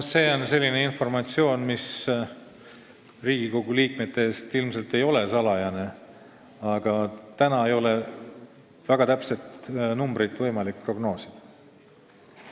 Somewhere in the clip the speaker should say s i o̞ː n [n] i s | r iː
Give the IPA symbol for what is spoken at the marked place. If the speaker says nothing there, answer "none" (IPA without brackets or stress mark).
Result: m